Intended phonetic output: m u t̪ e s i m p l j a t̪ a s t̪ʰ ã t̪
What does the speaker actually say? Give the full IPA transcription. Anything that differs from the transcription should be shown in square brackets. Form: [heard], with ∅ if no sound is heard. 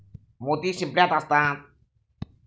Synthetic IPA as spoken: m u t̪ [i] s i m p l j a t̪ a s [t̪] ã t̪